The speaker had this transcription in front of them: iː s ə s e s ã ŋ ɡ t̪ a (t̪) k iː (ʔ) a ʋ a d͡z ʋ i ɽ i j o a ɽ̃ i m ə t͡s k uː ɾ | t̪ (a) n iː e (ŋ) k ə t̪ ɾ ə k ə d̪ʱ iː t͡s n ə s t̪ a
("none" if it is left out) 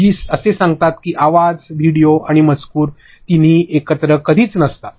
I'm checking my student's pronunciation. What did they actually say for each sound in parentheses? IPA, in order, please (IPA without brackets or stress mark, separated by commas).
t̪, ʔ, i, none